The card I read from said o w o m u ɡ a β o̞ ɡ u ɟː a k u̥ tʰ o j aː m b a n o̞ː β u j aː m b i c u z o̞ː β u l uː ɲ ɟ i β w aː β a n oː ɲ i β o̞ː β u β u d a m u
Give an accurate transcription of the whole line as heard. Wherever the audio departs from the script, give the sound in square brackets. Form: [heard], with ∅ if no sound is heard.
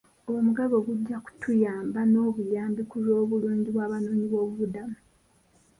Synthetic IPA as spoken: o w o m u ɡ a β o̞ ɡ u ɟː a k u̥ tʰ [u] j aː m b a n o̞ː β u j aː m b i [k] u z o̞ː β u l uː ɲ ɟ i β w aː β a n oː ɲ i β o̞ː β u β u d a m u